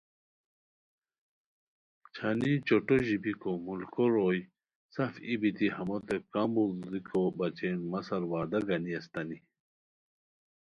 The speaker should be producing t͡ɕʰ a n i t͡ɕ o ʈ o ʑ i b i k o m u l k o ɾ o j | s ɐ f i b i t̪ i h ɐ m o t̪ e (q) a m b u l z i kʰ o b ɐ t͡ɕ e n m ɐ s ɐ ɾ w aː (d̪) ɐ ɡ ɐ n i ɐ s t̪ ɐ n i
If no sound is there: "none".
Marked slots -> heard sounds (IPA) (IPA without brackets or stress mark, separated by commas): k, d̪